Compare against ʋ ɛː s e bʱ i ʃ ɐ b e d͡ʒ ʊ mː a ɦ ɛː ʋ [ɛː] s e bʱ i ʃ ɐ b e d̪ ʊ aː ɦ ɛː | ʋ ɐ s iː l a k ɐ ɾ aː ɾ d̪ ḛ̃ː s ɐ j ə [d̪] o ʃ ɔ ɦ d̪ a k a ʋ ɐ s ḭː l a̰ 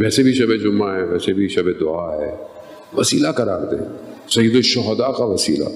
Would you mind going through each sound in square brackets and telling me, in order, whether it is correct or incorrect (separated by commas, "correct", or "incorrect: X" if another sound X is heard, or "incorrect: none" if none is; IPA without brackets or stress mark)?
correct, correct